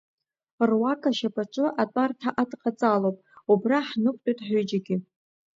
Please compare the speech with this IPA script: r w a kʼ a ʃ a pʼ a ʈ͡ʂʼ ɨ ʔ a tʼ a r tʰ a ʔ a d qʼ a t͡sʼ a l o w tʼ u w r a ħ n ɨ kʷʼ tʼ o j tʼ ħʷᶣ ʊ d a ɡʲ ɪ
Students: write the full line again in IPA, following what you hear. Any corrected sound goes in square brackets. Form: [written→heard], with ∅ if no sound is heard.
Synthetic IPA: r w a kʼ a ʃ a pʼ a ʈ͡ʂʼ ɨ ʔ a tʼ a r tʰ a ʔ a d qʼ a t͡sʼ a l o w [tʼ→pʼ] u [w→b] r a ħ n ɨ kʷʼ tʼ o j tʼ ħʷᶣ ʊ [d→d͡ʒ] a ɡʲ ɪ